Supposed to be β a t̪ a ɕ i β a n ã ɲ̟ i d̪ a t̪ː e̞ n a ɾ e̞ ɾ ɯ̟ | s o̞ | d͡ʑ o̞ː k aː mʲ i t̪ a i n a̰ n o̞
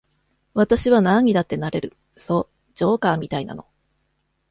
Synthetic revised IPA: β a t̪ a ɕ i β a n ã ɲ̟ i d̪ a t̪ː e̞ n a ɾ e̞ ɾ ɯ̟ | s o̞ | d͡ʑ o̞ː k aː mʲ i t̪ a i n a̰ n o̞